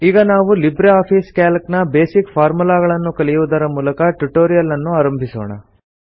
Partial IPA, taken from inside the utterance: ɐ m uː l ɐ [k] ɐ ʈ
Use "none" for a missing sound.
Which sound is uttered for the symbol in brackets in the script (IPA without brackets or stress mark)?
k